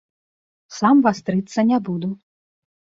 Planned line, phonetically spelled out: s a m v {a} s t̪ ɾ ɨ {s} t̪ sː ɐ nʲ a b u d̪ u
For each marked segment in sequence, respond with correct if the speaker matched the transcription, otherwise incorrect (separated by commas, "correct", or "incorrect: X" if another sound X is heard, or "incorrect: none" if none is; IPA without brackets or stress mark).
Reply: correct, incorrect: none